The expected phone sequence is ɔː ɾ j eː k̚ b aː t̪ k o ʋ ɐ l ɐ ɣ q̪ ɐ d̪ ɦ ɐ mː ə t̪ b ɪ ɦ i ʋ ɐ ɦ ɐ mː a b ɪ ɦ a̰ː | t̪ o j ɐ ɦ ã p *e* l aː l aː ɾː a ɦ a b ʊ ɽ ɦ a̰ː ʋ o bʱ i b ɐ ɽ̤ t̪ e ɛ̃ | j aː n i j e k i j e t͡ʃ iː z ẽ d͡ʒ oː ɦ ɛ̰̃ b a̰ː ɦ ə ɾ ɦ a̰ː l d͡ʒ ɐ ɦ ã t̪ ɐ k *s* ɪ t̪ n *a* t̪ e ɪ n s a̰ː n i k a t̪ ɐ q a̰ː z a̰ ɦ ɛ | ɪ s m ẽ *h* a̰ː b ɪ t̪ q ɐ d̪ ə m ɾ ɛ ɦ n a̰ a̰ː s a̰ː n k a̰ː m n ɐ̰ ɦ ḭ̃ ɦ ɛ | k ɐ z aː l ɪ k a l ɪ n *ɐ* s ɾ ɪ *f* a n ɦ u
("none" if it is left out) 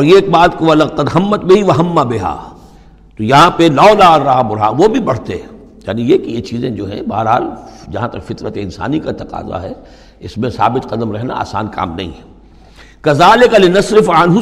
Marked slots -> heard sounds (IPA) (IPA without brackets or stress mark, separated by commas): e, f, ə, s, ɐ, f